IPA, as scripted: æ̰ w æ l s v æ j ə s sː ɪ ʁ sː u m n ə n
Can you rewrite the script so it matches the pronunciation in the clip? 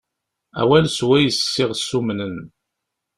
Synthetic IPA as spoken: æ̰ w æ l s w æ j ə s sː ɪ ʁ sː u m n ə n